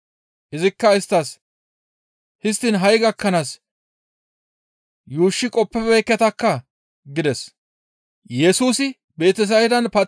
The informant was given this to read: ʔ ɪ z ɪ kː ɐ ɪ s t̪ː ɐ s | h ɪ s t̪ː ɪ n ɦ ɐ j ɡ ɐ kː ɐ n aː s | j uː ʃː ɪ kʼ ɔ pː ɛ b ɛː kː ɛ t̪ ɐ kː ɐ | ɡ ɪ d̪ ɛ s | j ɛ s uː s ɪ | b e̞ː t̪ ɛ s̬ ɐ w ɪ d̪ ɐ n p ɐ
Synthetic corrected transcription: ʔ ɪ z ɪ kː ɐ ɪ s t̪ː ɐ s | h ɪ s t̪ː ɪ n ɦ ɐ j ɡ ɐ kː ɐ n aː s | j uː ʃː ɪ kʼ ɔ pː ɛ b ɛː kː ɛ t̪ ɐ kː ɐ | ɡ ɪ d̪ ɛ s | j ɛ s uː s ɪ | b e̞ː t̪ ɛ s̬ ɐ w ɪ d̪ ɐ n p ɐ